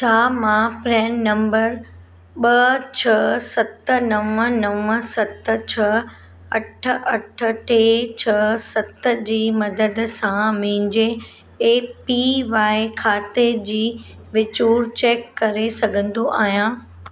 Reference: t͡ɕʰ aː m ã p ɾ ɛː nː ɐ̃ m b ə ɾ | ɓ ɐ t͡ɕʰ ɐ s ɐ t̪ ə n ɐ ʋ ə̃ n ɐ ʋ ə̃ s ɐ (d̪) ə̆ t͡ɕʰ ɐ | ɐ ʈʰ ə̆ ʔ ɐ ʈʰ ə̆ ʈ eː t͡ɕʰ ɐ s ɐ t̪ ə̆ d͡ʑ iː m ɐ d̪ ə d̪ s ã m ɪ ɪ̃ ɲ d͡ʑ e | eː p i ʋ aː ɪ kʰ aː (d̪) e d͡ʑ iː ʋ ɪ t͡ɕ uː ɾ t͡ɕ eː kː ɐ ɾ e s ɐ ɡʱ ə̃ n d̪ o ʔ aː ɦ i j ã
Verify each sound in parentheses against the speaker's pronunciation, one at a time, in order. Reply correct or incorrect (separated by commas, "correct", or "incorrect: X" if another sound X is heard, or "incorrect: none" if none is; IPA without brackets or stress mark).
incorrect: t̪, incorrect: t̪